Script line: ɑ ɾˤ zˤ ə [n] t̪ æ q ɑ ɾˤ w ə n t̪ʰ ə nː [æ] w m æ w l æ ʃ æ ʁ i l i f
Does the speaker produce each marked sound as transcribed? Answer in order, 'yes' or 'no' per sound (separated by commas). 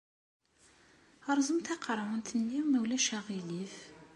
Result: no, no